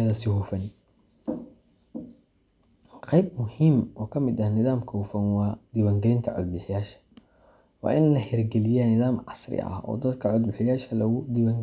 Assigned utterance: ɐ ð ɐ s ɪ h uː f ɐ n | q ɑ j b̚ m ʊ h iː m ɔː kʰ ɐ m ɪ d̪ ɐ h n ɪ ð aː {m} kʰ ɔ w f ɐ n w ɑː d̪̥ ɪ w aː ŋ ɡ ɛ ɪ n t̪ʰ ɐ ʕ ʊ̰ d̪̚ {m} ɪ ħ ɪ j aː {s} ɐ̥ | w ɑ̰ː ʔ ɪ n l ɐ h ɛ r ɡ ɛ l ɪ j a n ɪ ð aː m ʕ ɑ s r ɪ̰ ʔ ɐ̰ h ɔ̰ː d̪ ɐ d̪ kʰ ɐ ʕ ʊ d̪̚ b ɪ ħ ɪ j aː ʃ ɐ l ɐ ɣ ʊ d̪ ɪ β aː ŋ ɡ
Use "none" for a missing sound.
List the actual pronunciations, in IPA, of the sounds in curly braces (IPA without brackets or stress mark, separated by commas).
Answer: m, b, ʃ